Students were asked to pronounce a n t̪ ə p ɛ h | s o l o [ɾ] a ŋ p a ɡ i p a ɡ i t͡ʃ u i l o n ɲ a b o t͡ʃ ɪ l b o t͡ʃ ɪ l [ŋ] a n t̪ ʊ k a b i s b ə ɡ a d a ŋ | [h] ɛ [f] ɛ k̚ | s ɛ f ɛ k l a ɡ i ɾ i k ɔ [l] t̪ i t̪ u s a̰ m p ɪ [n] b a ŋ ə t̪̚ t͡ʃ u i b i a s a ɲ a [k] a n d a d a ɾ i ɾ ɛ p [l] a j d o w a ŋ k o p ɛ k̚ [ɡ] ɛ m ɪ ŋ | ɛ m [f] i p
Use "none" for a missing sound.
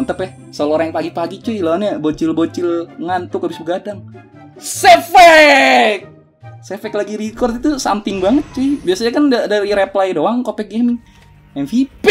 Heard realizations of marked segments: ɾ, ŋ, s, f, r, ŋ, k, l, ɡ, f

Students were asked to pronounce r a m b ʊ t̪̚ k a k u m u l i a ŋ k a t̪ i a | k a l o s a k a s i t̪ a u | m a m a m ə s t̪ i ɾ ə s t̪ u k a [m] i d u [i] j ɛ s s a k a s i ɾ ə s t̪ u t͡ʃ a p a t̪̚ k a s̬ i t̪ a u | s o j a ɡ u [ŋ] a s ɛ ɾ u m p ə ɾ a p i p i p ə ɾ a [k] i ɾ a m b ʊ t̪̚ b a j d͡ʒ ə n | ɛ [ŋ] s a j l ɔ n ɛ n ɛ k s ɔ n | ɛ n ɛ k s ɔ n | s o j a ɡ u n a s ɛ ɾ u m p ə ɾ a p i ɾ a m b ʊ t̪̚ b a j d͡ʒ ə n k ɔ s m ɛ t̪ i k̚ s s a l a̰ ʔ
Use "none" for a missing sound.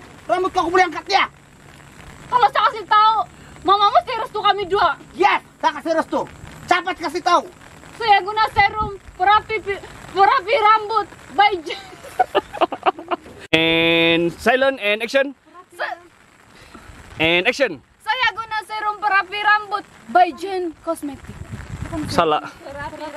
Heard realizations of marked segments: m, a, n, p, n

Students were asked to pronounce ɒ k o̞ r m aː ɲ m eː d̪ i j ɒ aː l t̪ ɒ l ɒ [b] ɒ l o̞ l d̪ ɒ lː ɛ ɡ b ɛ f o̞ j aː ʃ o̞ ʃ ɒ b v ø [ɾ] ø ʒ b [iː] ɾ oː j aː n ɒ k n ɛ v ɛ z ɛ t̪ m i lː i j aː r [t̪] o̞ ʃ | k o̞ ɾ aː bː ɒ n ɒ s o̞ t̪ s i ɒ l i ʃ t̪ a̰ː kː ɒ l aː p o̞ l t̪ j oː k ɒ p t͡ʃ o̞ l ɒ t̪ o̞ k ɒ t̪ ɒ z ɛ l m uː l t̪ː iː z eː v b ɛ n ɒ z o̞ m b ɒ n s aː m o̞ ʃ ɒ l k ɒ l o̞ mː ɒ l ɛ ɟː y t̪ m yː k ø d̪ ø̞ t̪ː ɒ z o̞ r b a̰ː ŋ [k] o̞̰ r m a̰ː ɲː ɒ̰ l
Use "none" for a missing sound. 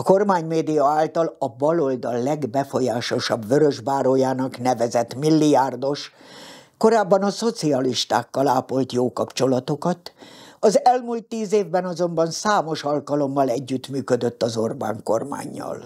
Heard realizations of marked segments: b, ɾ, aː, d̪, k

